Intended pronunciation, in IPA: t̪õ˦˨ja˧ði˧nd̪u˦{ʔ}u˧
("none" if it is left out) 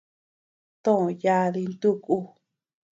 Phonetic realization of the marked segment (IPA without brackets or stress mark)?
k